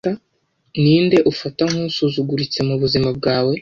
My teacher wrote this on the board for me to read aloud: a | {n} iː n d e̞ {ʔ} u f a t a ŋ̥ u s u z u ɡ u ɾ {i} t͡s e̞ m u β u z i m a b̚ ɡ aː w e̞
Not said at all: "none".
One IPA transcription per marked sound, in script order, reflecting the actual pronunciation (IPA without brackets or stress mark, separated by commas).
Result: n, ʔ, i